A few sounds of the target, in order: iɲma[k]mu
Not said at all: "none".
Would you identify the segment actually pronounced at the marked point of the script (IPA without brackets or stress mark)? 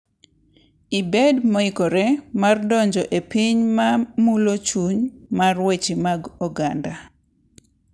none